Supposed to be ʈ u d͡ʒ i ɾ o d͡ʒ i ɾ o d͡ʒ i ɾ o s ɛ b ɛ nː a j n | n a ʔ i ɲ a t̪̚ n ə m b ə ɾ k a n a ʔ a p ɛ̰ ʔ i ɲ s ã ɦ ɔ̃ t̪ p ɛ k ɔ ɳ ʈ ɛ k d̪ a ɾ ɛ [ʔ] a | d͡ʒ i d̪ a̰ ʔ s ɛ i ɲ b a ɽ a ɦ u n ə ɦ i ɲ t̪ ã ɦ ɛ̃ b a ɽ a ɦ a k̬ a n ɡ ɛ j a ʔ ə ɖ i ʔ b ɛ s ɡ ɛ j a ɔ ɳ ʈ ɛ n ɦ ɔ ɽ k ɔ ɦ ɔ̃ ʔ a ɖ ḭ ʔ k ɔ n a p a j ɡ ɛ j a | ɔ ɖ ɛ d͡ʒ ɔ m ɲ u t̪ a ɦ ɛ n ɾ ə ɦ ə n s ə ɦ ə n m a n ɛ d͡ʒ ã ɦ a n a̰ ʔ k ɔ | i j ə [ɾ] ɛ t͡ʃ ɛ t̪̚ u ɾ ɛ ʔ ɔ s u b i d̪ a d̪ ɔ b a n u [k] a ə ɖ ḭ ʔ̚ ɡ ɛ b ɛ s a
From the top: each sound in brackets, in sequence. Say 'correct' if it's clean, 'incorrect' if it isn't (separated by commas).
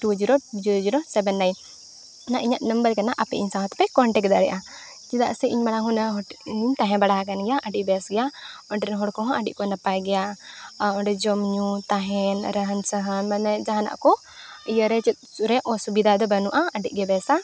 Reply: correct, correct, incorrect